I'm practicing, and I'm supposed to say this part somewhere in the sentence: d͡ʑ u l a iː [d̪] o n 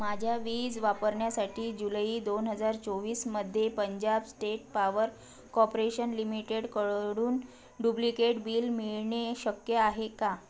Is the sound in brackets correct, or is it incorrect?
correct